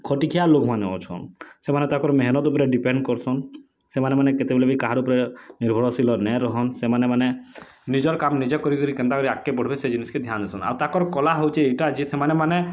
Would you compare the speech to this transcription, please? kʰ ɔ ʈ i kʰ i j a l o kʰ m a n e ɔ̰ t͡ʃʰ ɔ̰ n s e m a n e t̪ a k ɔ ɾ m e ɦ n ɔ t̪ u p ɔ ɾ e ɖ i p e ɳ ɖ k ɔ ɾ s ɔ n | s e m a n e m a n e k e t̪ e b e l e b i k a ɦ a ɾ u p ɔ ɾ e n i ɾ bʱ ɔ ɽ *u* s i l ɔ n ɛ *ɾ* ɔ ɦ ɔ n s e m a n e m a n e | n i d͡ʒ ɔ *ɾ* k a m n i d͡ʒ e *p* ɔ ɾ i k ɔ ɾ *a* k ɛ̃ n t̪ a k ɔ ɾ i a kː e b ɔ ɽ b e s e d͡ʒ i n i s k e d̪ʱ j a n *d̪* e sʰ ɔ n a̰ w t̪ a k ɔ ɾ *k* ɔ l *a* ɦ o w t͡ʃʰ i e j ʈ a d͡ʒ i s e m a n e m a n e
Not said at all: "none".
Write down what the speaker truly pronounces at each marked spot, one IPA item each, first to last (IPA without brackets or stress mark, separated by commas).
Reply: ɔ, ɾ, ɾ, k, i, d̪, k, a